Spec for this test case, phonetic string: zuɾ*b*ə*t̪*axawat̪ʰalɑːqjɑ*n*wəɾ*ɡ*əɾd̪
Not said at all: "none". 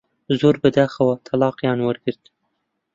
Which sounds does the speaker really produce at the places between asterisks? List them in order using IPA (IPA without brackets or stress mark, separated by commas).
b, d̪, n, ɡ